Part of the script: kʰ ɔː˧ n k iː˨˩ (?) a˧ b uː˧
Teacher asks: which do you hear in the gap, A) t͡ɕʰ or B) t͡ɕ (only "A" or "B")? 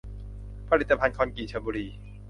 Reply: A